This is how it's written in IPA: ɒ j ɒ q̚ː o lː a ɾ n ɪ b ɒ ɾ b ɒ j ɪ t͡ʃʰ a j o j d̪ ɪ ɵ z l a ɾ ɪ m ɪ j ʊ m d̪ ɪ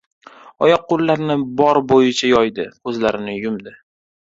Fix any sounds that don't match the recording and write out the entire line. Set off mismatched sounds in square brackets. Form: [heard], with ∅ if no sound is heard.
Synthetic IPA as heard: ɒ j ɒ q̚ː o lː a ɾ n ɪ b ɒ ɾ b [o] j ɪ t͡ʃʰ a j [ɒ] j d̪ ɪ ɵ z l a ɾ ɪ [n] ɪ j ʊ m d̪ ɪ